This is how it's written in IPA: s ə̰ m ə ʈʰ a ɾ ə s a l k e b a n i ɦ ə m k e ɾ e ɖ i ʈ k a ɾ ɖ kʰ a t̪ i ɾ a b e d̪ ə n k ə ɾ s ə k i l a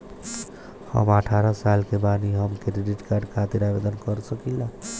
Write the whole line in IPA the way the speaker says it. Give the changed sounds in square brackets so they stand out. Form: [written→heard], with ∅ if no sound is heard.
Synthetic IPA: [s→h] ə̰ m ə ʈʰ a ɾ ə s a l k e b a n i ɦ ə m k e ɾ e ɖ i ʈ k a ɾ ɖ kʰ a t̪ i ɾ a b e d̪ ə n k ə ɾ s ə k i l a